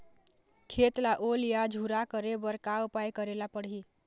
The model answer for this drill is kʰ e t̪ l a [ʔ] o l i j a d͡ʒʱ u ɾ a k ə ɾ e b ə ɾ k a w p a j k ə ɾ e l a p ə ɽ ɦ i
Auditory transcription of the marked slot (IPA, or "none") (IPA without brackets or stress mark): ʔ